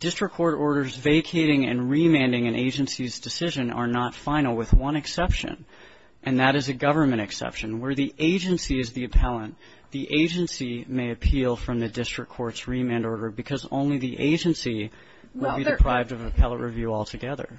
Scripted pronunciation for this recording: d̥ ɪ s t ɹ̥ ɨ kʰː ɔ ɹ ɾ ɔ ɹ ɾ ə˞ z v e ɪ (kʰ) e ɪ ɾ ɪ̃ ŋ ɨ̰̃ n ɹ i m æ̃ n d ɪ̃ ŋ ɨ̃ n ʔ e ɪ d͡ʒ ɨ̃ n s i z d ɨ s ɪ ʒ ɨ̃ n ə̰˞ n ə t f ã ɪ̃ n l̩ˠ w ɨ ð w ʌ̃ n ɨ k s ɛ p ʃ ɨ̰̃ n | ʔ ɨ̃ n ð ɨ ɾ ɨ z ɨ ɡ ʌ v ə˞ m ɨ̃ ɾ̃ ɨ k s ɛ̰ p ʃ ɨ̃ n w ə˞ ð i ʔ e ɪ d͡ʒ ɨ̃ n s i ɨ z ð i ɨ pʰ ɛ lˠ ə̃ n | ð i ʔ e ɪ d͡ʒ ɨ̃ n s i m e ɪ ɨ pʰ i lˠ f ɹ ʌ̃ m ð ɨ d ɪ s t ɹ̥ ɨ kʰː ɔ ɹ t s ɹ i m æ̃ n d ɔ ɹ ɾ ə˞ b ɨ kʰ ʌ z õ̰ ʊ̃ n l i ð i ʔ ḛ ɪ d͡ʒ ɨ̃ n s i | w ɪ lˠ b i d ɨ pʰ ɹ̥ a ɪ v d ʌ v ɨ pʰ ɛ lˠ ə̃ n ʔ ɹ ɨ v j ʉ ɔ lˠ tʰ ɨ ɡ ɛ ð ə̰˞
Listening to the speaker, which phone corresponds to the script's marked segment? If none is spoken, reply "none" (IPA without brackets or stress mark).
kʰ